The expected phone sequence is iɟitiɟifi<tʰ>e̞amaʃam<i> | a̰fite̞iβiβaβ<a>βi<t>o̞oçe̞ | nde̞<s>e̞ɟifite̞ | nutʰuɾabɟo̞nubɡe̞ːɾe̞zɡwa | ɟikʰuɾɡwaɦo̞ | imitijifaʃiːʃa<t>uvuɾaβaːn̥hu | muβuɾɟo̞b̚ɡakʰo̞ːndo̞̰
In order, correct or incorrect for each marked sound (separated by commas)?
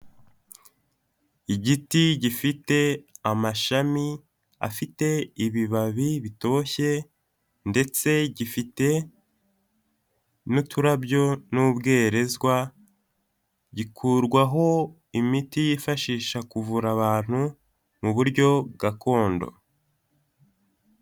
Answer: incorrect, correct, incorrect, correct, incorrect, incorrect